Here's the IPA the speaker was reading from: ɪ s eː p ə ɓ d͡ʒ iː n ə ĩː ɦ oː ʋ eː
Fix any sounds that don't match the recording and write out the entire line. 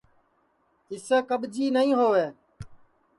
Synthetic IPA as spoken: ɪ s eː k ə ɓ d͡ʒ iː n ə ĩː ɦ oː ʋ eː

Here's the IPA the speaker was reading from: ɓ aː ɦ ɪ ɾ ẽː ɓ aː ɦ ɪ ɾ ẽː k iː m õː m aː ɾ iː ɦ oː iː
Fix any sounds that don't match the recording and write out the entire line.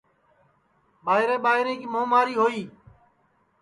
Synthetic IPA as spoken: ɓ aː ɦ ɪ ɾ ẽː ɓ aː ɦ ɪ ɾ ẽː k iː m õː m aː ɾ iː ɦ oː iː

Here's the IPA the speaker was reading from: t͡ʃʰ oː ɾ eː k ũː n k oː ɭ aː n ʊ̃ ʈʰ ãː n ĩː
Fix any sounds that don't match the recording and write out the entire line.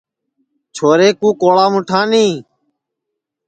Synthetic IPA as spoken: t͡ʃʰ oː ɾ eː k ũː k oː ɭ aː m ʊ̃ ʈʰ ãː n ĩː

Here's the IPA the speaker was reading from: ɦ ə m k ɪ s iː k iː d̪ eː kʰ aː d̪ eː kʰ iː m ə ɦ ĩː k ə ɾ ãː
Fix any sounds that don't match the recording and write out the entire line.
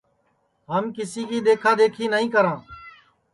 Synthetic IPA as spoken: ɦ ə m k ɪ s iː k iː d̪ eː kʰ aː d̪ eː kʰ iː n ə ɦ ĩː k ə ɾ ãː

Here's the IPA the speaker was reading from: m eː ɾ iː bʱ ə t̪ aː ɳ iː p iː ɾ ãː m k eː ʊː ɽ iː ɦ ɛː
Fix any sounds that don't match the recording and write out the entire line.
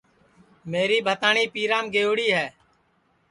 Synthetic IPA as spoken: m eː ɾ iː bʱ ə t̪ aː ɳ iː p iː ɾ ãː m ɡ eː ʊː ɽ iː ɦ ɛː

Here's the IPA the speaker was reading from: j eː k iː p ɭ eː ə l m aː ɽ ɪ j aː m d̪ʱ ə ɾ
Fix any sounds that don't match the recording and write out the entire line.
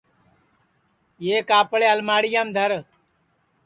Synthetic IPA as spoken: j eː k aː p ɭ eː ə l m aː ɽ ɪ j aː m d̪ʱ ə ɾ

